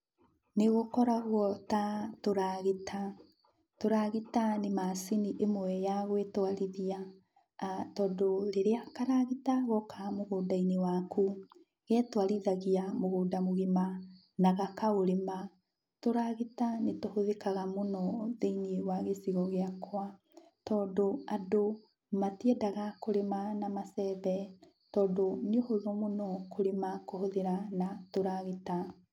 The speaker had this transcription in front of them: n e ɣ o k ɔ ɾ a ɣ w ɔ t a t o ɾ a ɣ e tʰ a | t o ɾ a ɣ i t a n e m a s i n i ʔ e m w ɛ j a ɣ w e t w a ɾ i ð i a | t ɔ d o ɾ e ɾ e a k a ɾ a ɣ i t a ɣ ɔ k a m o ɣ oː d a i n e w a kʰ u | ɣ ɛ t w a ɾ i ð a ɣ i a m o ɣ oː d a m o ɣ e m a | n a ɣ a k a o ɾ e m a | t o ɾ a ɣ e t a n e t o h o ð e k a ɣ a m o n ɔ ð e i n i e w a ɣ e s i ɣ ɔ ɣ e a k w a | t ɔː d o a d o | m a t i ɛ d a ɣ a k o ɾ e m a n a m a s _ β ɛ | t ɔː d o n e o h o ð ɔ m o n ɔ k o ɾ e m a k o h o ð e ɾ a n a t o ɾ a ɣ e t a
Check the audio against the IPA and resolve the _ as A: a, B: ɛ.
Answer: B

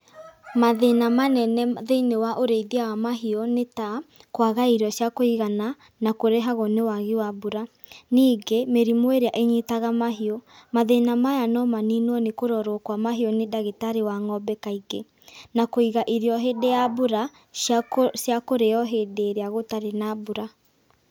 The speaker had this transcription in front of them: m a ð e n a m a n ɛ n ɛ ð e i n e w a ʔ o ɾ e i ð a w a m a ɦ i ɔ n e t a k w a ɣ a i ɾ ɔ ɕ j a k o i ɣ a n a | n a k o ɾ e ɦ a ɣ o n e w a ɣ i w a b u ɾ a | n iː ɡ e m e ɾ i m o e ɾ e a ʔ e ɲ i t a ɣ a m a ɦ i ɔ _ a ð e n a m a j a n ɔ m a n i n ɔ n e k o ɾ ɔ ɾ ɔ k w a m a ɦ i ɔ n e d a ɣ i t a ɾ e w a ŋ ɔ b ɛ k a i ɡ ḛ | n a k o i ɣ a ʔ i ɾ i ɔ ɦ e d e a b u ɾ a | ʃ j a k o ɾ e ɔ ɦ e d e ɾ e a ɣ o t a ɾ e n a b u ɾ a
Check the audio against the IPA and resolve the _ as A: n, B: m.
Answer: B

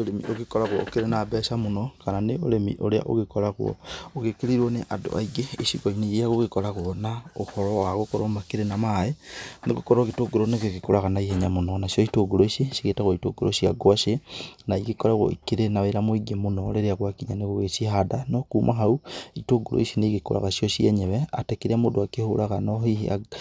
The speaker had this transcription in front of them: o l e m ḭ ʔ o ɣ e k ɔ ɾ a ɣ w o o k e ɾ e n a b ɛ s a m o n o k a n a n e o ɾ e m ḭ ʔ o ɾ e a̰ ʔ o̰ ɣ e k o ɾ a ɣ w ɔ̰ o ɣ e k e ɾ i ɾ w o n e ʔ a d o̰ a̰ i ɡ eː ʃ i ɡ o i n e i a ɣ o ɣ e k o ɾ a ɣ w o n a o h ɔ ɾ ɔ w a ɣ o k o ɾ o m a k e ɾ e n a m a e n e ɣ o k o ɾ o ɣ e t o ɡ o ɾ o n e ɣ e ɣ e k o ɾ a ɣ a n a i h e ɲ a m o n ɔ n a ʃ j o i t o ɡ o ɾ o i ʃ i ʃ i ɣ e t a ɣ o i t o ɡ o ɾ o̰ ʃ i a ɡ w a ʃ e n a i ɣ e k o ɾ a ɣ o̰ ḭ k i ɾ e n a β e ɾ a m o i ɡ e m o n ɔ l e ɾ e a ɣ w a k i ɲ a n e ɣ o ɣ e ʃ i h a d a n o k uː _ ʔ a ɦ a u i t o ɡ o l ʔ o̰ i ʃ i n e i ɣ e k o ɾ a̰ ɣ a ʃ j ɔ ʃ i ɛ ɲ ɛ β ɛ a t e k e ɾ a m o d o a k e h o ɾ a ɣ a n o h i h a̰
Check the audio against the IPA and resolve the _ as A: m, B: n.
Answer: A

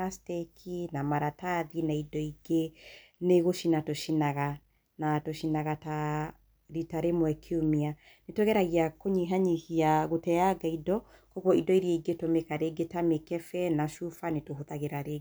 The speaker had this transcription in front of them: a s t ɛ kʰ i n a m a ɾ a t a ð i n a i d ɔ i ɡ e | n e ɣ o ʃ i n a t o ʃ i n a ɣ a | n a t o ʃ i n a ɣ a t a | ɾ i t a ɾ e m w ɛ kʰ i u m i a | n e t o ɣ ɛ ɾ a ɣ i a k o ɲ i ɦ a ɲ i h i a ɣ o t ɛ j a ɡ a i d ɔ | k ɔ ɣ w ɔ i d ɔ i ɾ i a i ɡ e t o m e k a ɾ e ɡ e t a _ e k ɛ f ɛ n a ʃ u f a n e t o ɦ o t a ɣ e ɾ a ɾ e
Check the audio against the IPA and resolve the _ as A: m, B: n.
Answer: A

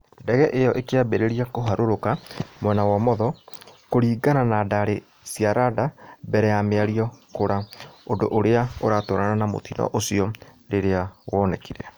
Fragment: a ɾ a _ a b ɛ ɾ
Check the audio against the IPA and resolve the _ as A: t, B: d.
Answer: B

